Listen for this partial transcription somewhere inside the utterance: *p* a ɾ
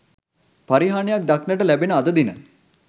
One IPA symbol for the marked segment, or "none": p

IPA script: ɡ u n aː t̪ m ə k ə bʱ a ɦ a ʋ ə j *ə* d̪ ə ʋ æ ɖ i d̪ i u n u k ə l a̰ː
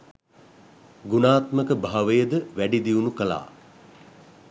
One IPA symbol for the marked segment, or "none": ə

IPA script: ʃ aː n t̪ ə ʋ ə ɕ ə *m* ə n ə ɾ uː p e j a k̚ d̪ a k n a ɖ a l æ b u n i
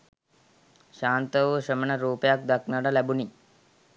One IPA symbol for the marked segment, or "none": m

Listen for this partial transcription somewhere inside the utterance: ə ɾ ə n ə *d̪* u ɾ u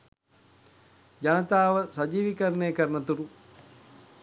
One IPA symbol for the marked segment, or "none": t̪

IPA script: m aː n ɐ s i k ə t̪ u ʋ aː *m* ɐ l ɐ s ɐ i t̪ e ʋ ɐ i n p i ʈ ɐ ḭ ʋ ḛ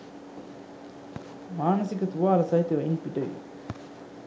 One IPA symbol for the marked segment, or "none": none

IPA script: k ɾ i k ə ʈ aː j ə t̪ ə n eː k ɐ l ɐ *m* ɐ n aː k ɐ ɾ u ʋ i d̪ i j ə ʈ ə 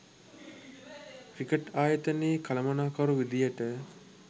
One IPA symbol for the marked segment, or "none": m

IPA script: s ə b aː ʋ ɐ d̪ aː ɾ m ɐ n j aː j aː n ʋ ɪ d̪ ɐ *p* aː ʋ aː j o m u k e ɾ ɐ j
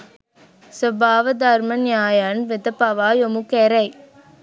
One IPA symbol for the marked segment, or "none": p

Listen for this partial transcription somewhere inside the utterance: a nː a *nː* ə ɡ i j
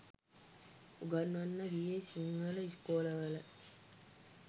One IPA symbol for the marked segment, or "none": nː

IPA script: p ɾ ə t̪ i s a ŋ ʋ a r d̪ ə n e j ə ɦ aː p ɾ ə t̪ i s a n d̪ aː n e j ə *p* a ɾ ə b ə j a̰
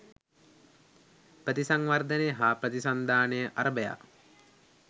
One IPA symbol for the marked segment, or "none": ʔ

